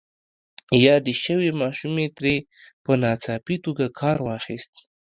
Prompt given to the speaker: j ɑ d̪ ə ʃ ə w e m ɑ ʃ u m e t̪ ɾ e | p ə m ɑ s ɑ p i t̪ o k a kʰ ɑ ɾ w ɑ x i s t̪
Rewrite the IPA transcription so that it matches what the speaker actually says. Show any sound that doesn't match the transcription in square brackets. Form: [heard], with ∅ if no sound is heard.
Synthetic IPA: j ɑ d̪ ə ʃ ə w e m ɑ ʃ u m e t̪ ɾ e | p ə [n] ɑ [t͡s] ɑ p i t̪ o [ɡ] a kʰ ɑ ɾ w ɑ x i s t̪

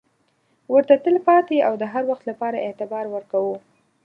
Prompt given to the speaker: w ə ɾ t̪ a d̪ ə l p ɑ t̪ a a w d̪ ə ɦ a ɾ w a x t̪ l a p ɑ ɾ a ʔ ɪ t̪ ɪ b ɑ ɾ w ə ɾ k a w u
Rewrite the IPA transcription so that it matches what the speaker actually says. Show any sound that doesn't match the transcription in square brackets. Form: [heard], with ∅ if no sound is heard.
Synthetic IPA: w ə ɾ t̪ a [t̪] ə l p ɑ t̪ [e] a w d̪ ə ɦ a ɾ w a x t̪ l a p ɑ ɾ a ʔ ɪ t̪ ɪ b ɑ ɾ w ə ɾ k a w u

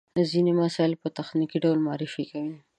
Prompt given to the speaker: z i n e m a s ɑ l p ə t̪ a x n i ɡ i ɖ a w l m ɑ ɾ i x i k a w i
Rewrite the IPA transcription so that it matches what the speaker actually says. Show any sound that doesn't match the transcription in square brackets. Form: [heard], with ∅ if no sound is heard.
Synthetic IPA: z i n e m a s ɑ l p ə t̪ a x n i [k] i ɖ a w l m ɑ ɾ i [f] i k a w i

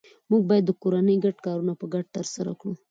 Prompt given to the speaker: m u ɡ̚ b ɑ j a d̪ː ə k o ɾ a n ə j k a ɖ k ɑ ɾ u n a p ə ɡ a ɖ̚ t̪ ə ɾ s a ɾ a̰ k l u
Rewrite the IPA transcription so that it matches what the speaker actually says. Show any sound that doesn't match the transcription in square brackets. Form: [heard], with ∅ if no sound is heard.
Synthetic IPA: m u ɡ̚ b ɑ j a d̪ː ə k o ɾ a n ə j [ɡ] a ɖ k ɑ ɾ u n a p ə ɡ a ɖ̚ t̪ ə ɾ s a ɾ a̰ k [ɽ] u

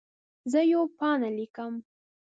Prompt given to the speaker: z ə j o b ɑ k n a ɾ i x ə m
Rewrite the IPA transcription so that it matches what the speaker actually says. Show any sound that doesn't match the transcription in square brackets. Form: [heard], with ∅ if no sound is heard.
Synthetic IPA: z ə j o [p] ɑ [∅] n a [l] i [k] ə m

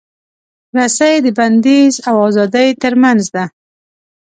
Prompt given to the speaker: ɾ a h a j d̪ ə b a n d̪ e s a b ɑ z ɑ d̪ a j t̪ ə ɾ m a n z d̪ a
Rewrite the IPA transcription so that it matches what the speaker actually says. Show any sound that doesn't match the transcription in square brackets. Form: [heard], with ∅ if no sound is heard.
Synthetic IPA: ɾ a [s] a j d̪ ə b a n d̪ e [z] a [w] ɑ z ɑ d̪ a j t̪ ə ɾ m a n z d̪ a

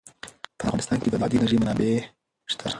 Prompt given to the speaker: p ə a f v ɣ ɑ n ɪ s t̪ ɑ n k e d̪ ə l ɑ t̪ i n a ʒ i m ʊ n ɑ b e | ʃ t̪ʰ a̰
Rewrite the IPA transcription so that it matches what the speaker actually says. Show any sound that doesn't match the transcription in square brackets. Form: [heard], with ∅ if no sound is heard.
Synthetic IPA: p ə a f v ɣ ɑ n ɪ s t̪ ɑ n k e d̪ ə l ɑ [d̪] i n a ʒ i m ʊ n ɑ b e | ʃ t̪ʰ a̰

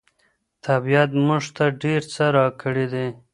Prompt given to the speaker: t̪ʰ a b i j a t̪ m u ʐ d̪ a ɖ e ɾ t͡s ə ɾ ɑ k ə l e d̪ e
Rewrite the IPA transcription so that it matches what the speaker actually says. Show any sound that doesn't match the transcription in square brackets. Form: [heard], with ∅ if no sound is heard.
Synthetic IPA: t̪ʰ a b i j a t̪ m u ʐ [t̪] a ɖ e ɾ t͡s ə ɾ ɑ k ə [ɽ] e d̪ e

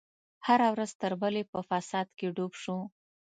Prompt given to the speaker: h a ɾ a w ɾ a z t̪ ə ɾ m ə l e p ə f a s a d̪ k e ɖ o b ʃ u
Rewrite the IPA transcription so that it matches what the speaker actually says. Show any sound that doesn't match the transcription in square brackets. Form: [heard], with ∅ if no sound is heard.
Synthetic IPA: h a ɾ a w ɾ a z t̪ ə ɾ [b] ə l e p ə f a s [ɑ] d̪ k e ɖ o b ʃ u

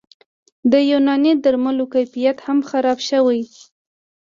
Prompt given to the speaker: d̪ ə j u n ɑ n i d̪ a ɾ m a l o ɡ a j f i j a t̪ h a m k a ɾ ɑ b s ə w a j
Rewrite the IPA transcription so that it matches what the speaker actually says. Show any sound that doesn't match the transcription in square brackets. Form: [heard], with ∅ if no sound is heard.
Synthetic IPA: d̪ ə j u n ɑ n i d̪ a ɾ m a l o [k] a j f i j a t̪ h a m [x] a ɾ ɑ b [ʃ] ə w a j

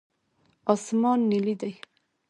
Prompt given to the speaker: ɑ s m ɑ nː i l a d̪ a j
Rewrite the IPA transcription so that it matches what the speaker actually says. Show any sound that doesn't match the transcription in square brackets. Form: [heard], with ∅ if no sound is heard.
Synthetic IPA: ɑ s m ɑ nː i l [i] d̪ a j

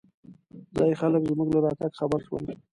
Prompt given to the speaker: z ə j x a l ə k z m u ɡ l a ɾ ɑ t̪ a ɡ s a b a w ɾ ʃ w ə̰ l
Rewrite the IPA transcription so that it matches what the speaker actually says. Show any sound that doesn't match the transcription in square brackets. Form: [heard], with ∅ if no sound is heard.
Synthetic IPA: z [ɑ] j x a l ə k z m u ɡ l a ɾ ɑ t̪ a ɡ [x] a b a [∅] ɾ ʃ w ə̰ l

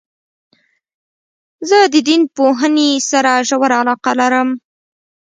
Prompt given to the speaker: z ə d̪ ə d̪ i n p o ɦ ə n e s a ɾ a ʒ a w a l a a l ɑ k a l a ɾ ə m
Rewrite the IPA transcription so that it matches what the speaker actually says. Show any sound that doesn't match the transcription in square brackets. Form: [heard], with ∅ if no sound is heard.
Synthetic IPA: z ə d̪ ə d̪ i n p o ɦ ə n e s a ɾ a ʒ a w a [ɾ] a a l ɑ [q] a l a ɾ ə m

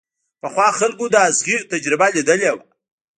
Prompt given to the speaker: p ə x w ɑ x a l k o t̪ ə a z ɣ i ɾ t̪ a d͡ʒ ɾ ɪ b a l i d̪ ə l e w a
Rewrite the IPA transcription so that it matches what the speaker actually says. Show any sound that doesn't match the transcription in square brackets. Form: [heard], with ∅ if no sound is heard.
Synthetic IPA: p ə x w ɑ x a l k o [d̪] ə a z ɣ i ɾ t̪ a d͡ʒ ɾ ɪ b a l i d̪ ə l e w a

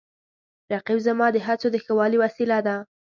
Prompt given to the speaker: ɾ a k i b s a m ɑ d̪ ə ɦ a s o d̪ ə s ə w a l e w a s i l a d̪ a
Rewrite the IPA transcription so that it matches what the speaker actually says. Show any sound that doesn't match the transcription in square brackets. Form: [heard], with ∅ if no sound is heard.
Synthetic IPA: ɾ a [q] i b [z] a m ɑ d̪ ə ɦ a [t͡s] o d̪ ə [x] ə w [ɑ] l [i] w a s i l a d̪ a

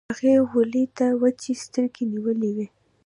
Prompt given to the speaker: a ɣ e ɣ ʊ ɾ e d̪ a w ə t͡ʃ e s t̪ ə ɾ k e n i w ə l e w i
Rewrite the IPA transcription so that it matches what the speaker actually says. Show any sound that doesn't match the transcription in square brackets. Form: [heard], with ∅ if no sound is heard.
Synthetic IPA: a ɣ e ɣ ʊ [l] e [t̪] a w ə t͡ʃ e s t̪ ə ɾ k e n i w ə l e w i

